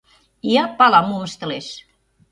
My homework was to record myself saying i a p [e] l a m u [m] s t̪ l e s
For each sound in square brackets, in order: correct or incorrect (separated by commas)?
incorrect, correct